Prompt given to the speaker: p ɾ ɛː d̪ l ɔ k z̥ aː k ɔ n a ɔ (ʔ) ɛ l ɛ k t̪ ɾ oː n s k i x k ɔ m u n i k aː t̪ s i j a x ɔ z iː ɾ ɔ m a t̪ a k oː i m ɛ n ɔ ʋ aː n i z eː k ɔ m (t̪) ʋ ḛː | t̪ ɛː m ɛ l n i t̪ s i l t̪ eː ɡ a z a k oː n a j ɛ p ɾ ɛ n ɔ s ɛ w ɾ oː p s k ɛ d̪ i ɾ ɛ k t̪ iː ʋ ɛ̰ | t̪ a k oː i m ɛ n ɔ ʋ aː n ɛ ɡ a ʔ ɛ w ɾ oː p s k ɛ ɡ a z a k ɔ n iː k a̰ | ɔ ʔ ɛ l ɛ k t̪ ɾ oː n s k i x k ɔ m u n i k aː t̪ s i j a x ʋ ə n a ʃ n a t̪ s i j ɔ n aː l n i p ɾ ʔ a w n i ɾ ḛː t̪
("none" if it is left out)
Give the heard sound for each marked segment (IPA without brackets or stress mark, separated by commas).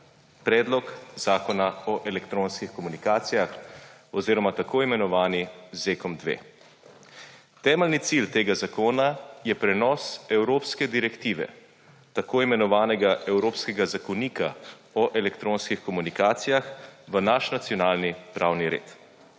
ʔ, d̪